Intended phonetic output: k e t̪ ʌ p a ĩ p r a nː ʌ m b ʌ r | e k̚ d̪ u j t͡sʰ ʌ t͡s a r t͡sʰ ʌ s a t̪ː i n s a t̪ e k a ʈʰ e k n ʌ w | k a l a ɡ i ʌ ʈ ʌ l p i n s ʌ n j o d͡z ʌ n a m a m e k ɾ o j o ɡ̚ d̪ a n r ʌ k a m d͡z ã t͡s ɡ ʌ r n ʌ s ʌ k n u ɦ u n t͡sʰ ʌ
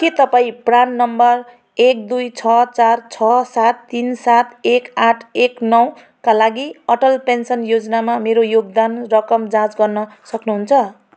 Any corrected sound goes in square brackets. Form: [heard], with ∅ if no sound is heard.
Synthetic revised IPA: k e t̪ ʌ p a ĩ p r a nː ʌ m b ʌ r | e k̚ d̪ u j t͡sʰ ʌ t͡s a r t͡sʰ ʌ s a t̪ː i n s a t̪ e k a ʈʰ e k n ʌ w | k a l a ɡ i ʌ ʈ ʌ l p [e] n s ʌ n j o d͡z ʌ n a m a m e [∅] ɾ o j o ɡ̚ d̪ a n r ʌ k [ʌ] m d͡z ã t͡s ɡ ʌ r n ʌ s ʌ k n u ɦ u n t͡sʰ ʌ